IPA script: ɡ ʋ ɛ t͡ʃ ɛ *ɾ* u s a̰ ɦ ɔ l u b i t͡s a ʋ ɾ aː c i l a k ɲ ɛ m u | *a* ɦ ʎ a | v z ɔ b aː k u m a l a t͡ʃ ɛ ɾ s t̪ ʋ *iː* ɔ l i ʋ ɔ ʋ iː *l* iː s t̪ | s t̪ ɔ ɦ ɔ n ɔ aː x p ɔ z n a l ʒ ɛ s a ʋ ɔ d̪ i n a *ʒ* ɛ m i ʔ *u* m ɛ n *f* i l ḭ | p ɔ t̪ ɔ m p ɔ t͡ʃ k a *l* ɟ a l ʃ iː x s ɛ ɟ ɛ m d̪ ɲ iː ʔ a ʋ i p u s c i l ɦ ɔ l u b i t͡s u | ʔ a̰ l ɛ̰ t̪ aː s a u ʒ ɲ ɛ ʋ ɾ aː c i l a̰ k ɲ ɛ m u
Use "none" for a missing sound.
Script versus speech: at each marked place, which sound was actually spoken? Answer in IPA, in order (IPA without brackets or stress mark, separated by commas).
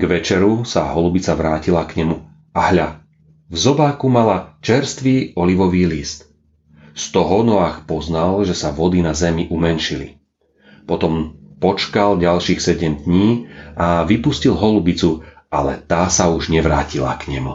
ɾ, a, iː, l, z, u, ʃ, l